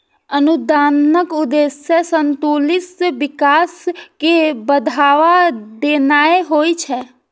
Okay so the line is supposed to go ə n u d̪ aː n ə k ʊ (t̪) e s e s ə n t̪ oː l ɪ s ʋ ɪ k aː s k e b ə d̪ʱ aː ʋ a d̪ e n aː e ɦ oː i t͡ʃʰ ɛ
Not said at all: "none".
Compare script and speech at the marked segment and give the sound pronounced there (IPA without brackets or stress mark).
d̪